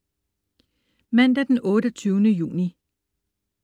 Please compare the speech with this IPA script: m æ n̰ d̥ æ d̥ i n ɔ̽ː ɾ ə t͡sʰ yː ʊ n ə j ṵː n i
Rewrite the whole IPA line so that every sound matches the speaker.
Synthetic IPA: m æ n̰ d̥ æ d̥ e n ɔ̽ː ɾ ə t͡sʰ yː ʊ n ə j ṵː n i